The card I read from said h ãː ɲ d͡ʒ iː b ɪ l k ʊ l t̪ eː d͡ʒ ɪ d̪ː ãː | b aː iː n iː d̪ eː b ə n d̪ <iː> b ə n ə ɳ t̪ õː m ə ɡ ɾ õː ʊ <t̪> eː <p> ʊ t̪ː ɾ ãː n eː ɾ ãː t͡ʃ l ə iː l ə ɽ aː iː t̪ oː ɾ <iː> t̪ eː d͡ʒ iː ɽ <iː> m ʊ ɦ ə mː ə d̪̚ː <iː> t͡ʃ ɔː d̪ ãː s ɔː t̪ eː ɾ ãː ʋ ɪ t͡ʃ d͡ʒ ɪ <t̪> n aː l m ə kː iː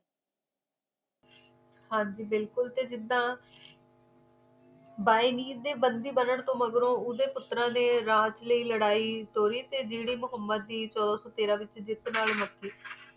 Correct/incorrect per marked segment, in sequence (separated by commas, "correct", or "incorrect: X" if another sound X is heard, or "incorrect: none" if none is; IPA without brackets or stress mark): correct, incorrect: d̪, correct, correct, correct, correct, correct